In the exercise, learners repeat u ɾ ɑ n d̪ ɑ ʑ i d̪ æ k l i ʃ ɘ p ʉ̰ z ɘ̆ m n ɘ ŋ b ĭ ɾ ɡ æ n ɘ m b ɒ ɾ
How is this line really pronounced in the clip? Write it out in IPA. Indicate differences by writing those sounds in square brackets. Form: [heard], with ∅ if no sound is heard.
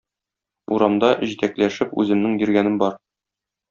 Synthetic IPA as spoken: u ɾ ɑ [m] d̪ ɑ ʑ i [t̪] æ k l [æ] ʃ ɘ p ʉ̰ z ɘ̆ m n ɘ ŋ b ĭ ɾ ɡ æ n ɘ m b ɒ ɾ